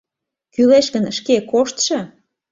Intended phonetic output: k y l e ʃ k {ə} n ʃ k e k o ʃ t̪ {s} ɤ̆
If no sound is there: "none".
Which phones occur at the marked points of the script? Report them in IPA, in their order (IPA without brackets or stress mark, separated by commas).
ə, ʃ